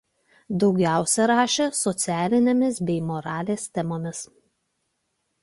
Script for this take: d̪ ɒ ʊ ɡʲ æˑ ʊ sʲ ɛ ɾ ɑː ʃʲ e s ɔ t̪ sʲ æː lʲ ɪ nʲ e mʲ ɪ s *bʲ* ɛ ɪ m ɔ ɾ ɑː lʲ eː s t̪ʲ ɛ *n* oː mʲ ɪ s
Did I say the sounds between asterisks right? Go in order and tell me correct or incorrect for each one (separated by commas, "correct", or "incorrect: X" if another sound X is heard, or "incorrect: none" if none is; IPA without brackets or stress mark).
correct, incorrect: m